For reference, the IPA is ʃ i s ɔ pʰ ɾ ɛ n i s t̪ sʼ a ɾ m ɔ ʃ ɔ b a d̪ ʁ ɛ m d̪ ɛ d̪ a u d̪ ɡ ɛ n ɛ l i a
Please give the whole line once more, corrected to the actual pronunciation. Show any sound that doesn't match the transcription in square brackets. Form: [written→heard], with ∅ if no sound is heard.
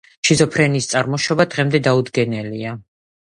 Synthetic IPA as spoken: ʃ i [s→z] ɔ pʰ ɾ ɛ n i s t̪ sʼ a ɾ m ɔ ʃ ɔ b a d̪ ʁ ɛ m d̪ ɛ d̪ a u d̪ ɡ ɛ n ɛ l i a